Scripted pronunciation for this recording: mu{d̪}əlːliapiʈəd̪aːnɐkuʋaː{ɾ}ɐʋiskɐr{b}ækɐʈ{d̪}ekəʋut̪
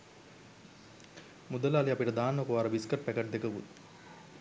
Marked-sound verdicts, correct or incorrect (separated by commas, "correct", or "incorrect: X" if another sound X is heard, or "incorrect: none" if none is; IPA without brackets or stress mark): correct, correct, incorrect: p, correct